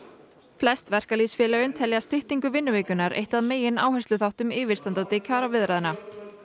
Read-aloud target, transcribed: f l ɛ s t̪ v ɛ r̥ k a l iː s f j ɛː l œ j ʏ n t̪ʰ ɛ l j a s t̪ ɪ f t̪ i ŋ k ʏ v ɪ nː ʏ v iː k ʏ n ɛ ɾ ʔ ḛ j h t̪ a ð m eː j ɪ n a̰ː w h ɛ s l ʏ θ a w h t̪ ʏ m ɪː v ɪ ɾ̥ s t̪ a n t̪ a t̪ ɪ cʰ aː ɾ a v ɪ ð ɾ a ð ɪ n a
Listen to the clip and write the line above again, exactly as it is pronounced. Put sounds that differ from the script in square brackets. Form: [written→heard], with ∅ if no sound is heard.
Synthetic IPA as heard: f l ɛ s t̪ v ɛ r̥ k a l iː s f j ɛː l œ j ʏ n t̪ʰ ɛ l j a s t̪ ɪ [f→h] t̪ i ŋ k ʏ v ɪ nː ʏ v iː k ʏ n [ɛ→a] ɾ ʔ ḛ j h t̪ a ð m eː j ɪ n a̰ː w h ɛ s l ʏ θ a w h t̪ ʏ m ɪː v ɪ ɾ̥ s t̪ a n t̪ a t̪ ɪ cʰ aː ɾ a v ɪ ð ɾ a ð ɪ n a